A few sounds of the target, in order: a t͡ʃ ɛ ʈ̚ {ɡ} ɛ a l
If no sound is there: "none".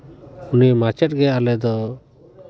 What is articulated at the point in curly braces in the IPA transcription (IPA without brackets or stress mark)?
ɡ